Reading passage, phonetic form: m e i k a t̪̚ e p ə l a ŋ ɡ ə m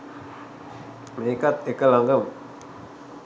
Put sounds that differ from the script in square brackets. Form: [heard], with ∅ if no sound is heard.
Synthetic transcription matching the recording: m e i k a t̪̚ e [k] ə l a ŋ ɡ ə m